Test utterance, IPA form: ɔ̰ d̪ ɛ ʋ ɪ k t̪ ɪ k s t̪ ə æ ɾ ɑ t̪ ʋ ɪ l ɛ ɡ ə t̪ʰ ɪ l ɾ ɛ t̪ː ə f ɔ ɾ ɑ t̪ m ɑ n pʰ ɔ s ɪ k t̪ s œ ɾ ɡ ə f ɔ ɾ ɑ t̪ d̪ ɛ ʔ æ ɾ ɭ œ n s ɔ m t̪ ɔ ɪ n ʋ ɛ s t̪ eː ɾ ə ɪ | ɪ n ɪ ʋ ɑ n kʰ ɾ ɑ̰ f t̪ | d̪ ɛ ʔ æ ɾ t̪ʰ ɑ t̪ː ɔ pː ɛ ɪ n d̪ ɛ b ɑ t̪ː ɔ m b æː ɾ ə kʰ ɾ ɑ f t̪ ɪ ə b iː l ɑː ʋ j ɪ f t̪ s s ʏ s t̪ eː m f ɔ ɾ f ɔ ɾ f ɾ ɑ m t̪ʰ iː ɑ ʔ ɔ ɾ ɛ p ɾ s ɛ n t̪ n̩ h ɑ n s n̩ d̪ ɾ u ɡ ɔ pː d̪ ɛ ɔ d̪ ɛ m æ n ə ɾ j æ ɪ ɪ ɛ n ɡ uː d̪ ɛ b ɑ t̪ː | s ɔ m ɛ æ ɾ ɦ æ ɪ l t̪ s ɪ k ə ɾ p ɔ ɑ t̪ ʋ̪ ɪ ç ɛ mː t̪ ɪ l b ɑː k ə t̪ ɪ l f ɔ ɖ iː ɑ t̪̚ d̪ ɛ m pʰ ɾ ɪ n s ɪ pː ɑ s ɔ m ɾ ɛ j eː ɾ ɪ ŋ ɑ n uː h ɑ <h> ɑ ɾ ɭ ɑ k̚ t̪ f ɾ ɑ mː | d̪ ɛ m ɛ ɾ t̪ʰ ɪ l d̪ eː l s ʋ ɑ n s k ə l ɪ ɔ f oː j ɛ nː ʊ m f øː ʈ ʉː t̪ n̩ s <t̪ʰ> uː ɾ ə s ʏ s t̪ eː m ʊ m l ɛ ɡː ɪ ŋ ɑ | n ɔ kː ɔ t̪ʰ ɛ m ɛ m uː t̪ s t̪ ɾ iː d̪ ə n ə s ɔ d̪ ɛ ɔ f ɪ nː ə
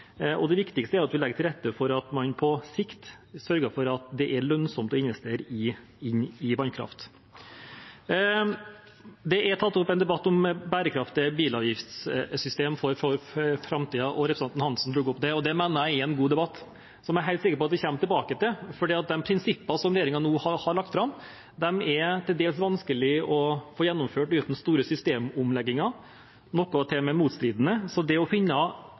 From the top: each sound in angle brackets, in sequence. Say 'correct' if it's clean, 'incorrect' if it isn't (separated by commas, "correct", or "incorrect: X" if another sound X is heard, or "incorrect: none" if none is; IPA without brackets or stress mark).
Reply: correct, incorrect: t̪